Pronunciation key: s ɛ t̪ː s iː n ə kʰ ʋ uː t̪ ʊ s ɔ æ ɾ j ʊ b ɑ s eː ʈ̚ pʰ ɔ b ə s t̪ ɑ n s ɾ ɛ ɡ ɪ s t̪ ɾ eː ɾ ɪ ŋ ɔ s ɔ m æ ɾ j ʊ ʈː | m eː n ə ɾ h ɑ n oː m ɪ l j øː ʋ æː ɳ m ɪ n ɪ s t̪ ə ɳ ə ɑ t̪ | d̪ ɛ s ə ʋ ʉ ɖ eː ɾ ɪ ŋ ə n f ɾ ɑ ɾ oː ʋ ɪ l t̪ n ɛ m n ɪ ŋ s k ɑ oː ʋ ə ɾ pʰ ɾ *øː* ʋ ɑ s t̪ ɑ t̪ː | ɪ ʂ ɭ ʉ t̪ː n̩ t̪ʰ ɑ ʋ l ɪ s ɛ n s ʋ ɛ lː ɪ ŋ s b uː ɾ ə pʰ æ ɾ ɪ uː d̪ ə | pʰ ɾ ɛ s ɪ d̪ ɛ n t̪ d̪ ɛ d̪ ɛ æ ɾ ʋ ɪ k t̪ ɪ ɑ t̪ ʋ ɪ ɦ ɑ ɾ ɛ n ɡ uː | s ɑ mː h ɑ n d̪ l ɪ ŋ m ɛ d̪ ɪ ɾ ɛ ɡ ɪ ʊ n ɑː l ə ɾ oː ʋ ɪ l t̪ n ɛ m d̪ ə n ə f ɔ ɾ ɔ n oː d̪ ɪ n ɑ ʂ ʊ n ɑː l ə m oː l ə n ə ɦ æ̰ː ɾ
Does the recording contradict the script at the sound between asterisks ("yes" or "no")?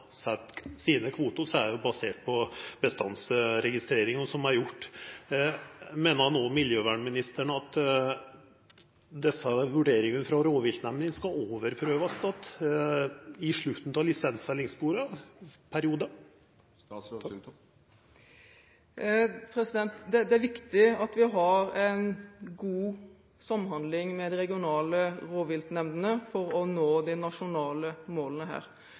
no